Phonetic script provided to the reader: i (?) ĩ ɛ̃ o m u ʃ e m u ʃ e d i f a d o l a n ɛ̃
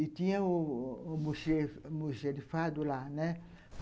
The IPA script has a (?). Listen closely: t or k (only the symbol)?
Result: t